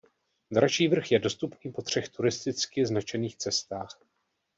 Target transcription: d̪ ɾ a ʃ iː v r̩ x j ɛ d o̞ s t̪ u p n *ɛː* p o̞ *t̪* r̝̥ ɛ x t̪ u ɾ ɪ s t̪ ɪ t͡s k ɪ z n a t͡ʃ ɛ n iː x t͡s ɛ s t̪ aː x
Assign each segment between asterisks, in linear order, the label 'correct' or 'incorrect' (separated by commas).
incorrect, correct